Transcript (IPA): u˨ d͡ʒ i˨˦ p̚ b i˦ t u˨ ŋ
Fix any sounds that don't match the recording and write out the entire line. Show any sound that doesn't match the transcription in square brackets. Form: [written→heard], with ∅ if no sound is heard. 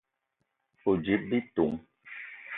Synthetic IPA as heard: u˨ d͡ʒ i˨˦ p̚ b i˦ t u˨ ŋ